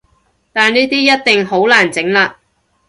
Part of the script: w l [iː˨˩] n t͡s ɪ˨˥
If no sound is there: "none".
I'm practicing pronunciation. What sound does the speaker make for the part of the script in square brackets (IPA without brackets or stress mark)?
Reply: aː˨˩